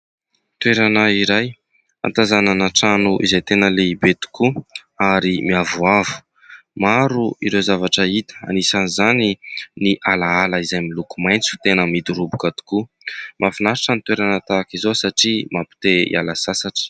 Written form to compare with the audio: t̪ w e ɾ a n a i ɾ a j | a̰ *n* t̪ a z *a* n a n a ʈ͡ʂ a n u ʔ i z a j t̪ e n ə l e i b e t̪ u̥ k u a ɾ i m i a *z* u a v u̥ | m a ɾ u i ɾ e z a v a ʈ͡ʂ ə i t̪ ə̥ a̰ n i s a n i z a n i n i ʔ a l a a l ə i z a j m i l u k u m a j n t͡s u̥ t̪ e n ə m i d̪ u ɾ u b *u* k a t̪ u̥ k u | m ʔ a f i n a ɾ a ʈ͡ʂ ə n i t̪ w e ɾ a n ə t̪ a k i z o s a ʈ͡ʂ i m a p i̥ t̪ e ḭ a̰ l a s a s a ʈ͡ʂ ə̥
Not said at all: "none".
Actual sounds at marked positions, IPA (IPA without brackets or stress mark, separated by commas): n, a, v, u